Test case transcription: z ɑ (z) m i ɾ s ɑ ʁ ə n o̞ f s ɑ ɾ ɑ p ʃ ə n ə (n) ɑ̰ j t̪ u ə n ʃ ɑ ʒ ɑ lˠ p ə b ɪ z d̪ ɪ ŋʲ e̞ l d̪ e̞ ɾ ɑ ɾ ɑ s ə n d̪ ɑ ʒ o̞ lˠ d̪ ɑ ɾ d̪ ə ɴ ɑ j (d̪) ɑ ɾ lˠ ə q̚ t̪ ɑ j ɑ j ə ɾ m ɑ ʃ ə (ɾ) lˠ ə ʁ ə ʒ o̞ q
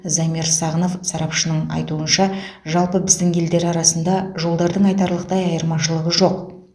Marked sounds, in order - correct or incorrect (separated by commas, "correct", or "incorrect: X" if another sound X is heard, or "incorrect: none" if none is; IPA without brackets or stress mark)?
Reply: incorrect: none, incorrect: ɴ, incorrect: t̪, incorrect: none